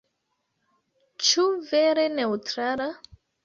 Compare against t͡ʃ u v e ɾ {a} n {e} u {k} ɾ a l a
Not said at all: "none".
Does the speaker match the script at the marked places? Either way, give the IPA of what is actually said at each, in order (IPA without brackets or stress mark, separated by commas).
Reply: e, e, t